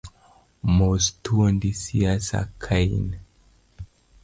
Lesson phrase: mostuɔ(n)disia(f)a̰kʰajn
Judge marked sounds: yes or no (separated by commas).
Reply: yes, no